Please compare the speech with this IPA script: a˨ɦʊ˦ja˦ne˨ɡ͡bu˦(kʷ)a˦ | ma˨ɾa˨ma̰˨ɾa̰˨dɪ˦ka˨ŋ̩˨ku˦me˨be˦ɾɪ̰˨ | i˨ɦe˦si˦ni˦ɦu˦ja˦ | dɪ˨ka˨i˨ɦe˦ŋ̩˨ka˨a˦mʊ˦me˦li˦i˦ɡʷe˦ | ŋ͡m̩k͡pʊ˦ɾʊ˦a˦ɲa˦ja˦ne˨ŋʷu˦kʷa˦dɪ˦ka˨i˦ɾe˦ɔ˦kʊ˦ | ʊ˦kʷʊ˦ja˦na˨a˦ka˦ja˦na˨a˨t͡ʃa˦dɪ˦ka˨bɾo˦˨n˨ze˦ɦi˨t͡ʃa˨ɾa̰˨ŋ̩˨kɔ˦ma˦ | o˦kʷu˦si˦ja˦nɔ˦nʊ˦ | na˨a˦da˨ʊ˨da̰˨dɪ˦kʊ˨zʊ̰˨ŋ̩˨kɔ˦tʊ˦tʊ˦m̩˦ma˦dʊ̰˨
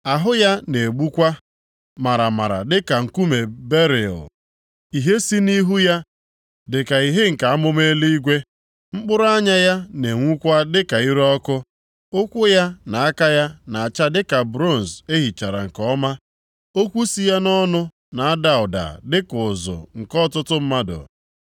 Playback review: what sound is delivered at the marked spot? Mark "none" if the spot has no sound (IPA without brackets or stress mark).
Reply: kʷ